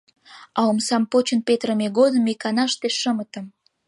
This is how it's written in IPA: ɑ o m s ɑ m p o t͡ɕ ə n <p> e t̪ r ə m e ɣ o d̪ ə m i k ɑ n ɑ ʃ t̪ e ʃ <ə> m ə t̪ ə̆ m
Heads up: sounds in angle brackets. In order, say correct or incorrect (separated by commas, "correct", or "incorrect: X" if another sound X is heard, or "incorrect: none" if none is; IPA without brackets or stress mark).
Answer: correct, correct